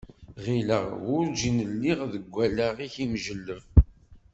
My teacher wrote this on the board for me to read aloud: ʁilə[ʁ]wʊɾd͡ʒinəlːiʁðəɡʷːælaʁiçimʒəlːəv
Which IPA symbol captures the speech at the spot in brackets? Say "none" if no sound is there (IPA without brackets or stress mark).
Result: ʁ